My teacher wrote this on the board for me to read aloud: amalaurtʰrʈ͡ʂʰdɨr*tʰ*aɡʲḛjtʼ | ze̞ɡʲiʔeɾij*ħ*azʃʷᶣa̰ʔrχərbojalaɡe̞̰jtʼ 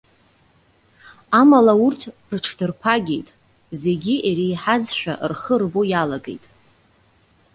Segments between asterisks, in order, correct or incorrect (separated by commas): incorrect, correct